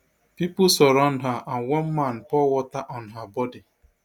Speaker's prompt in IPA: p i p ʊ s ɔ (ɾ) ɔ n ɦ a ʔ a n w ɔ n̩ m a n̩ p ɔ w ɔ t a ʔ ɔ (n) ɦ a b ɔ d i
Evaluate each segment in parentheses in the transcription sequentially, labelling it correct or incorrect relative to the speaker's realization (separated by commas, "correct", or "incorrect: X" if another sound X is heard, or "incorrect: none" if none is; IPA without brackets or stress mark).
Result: correct, correct